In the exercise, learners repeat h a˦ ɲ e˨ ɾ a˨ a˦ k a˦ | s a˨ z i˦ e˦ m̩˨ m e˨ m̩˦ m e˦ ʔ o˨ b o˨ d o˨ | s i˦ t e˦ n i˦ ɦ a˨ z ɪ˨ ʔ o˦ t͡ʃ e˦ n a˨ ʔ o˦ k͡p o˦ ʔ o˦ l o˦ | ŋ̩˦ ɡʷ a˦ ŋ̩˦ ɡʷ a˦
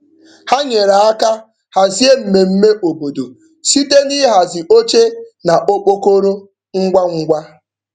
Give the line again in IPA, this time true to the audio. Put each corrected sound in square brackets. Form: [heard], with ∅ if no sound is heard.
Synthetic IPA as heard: h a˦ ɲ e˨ ɾ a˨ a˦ k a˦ | [h] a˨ z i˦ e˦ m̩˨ m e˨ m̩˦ m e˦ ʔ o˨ b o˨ d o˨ | s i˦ t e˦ n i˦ ɦ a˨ z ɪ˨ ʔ o˦ t͡ʃ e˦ n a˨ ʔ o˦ k͡p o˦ [k] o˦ [ɾ] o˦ | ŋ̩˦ ɡʷ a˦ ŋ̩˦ ɡʷ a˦